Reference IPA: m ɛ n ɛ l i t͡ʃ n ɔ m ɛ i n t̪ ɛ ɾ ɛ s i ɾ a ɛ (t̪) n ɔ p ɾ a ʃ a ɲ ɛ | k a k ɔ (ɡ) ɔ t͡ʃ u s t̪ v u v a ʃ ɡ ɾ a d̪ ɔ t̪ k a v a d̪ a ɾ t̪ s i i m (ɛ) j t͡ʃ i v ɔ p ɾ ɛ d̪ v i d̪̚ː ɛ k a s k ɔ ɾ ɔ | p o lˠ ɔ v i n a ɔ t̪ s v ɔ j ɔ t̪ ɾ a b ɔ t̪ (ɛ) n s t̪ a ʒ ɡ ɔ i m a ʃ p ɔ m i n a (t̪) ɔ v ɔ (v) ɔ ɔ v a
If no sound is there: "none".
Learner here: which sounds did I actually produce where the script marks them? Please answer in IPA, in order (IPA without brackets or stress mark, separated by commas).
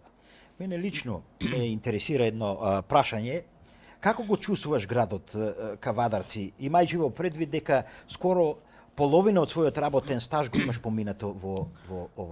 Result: d̪, ɡ, a, ɛ, t̪, v